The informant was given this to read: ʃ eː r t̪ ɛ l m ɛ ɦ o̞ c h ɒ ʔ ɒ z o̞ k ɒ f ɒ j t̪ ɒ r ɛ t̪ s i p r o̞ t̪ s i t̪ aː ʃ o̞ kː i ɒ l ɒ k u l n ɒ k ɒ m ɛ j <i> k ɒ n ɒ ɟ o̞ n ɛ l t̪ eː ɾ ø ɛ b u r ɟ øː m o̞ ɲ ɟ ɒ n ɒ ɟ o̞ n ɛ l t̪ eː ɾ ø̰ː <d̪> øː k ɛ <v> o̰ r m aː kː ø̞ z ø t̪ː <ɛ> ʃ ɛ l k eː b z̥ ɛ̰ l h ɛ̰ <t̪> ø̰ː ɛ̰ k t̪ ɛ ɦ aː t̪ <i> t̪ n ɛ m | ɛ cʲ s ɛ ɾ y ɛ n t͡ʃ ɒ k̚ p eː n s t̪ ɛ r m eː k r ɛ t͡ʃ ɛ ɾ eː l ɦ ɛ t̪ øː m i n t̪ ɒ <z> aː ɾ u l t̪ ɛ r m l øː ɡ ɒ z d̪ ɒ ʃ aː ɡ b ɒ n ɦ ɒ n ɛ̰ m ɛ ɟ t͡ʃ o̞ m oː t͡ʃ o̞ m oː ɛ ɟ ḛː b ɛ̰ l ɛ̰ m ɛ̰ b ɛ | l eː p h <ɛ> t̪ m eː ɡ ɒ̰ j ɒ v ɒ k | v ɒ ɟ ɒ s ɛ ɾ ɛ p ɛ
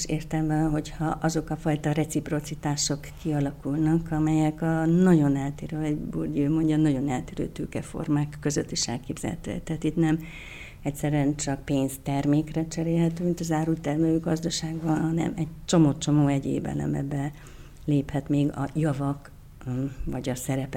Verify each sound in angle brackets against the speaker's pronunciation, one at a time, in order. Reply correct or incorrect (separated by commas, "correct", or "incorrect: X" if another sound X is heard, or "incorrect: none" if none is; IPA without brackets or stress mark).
incorrect: ɛ, incorrect: t̪, incorrect: f, incorrect: i, correct, correct, correct, correct